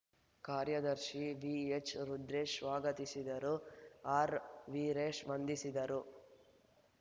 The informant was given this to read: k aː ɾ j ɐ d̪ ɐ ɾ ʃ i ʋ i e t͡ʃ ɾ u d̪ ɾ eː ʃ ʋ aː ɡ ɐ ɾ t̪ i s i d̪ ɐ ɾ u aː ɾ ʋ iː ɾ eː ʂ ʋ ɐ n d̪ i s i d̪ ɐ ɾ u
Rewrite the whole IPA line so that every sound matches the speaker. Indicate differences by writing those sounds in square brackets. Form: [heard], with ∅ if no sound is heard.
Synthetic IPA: k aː ɾ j ɐ d̪ ɐ ɾ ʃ i ʋ i e t͡ʃ ɾ u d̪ ɾ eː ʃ ʋ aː ɡ ɐ [∅] t̪ i s i d̪ ɐ ɾ u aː ɾ ʋ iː ɾ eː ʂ ʋ ɐ n d̪ i s i d̪ ɐ ɾ u